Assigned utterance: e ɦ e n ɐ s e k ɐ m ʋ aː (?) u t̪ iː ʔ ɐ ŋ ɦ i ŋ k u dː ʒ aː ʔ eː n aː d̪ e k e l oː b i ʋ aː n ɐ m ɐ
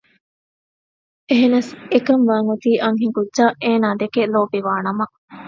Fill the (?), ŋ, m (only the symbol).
ŋ